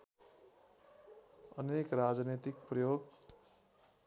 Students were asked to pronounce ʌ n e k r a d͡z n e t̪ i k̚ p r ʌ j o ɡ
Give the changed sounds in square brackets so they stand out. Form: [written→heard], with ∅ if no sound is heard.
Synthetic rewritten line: ʌ n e k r a d͡z n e t̪ i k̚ p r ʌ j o ɡ

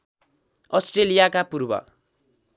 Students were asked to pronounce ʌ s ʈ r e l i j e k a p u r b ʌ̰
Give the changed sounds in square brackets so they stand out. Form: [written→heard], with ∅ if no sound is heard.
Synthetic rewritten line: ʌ s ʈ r e l i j [e→a] k a p u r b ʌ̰

